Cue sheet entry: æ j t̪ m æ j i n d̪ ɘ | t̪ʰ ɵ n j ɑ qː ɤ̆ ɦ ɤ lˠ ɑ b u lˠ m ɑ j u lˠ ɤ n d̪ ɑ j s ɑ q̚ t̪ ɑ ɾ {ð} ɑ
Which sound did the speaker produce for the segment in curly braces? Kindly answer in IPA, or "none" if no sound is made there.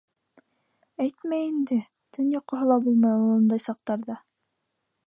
ð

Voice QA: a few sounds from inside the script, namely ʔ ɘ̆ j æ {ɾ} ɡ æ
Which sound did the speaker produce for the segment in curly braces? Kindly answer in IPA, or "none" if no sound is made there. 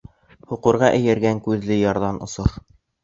ɾ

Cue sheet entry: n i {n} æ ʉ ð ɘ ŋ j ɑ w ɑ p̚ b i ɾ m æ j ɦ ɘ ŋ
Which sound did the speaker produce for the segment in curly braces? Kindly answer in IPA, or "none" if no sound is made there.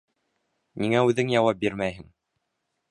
ŋ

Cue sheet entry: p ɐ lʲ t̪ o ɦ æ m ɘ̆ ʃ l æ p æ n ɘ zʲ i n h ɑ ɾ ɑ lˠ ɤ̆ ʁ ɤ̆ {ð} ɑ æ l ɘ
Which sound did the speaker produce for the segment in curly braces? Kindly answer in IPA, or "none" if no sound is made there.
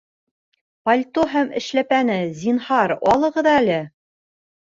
ð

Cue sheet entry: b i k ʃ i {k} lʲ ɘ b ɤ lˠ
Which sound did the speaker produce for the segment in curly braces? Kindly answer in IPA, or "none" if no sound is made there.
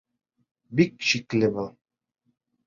k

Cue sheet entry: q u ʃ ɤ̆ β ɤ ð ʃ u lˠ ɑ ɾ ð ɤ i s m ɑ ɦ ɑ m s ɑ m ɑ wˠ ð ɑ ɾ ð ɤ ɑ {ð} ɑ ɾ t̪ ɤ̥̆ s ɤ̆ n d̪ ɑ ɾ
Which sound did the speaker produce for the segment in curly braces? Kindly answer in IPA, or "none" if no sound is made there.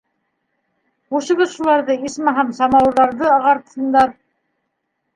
ʁ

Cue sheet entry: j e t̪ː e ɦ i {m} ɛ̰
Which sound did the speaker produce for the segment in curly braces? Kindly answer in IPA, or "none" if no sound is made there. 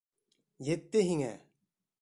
ŋ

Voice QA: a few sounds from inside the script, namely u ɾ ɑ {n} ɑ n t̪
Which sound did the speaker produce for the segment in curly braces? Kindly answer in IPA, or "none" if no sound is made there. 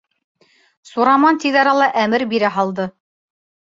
m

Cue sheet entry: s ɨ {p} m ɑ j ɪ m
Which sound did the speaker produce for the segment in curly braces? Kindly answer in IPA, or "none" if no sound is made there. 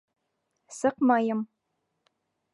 q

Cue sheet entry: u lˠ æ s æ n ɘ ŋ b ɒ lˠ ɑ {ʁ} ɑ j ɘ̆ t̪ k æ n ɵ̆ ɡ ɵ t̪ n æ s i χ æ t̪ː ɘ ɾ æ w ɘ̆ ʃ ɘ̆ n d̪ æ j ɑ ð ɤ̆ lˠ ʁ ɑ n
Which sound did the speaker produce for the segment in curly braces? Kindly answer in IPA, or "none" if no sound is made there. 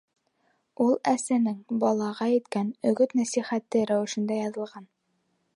ʁ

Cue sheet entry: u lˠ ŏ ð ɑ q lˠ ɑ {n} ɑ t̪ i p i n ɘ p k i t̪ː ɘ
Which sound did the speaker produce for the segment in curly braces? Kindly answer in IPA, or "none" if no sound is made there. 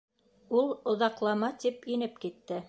m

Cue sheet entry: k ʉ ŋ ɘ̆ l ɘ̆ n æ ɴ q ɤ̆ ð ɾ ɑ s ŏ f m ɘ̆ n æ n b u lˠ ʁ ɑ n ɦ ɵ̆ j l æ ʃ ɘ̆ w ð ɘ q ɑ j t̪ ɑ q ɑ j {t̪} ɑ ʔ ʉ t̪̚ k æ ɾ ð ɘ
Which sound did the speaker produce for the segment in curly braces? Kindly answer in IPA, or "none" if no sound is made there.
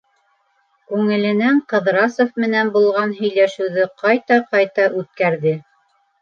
t̪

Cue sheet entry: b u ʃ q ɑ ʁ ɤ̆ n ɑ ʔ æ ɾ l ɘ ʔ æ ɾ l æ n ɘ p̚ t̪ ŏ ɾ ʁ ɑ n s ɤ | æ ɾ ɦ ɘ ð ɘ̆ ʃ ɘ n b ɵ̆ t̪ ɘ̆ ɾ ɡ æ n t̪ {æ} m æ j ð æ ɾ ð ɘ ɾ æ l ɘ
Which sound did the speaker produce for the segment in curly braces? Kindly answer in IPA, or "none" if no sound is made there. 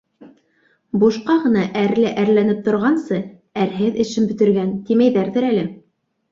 i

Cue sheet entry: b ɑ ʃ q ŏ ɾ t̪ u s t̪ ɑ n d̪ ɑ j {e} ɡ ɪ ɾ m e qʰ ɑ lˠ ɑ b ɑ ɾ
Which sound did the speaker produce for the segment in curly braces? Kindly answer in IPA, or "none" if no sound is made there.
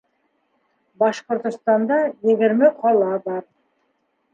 e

